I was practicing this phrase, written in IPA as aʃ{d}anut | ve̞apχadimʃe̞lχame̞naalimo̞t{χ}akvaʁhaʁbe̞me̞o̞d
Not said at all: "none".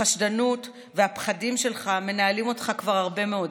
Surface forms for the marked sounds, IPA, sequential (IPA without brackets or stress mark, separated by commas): d, χ